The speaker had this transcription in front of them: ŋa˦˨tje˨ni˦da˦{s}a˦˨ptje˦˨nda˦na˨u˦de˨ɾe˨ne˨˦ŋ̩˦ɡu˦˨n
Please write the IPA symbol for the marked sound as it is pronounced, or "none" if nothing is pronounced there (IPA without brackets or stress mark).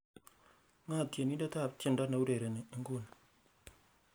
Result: t